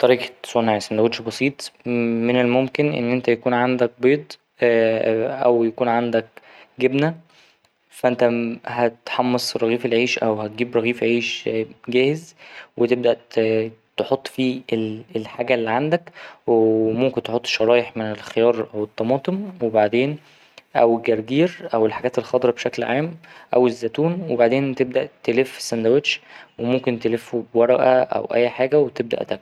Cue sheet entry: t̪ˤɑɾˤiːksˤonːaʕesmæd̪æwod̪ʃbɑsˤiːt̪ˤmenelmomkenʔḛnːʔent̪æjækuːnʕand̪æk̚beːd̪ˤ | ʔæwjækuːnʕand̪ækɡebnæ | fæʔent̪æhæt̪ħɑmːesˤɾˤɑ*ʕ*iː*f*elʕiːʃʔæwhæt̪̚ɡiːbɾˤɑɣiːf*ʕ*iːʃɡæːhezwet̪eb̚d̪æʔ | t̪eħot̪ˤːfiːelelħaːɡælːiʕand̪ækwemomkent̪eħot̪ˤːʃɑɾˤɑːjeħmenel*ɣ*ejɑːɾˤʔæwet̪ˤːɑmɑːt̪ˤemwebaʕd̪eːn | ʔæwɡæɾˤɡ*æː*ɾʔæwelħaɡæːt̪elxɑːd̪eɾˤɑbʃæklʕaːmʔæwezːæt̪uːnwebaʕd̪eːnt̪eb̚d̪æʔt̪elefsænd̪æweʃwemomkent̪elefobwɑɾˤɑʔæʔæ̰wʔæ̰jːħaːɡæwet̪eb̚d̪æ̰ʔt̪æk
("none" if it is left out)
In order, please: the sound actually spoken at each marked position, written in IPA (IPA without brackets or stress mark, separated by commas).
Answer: ɣ, f, ʕ, x, iː